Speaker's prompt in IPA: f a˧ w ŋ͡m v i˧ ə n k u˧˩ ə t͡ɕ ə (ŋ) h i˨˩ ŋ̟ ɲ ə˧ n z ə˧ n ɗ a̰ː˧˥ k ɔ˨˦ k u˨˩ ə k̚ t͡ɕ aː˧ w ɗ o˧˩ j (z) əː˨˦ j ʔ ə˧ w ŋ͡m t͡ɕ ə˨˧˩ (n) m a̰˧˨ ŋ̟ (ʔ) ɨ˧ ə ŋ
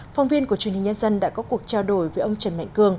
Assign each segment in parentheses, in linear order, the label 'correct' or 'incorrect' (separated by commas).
incorrect, incorrect, correct, incorrect